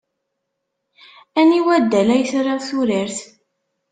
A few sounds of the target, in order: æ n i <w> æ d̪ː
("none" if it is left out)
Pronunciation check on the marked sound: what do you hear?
w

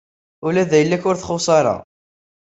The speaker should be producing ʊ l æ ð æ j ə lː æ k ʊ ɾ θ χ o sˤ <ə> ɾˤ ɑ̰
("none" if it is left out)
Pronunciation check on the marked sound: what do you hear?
ɑ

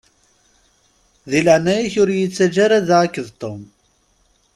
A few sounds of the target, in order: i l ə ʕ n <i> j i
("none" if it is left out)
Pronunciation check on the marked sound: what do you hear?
æ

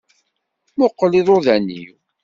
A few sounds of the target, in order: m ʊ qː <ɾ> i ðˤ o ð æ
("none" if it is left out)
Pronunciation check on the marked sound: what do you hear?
l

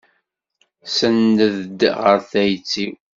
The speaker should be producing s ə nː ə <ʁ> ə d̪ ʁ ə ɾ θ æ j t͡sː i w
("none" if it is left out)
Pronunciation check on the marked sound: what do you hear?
ð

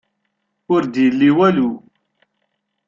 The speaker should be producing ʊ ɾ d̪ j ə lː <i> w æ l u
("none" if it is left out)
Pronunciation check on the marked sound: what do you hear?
i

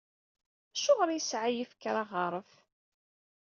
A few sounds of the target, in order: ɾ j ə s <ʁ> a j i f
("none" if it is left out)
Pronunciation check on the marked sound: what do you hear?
ʕ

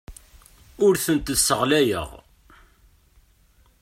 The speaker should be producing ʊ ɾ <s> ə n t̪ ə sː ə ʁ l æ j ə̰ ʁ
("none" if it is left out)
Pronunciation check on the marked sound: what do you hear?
θ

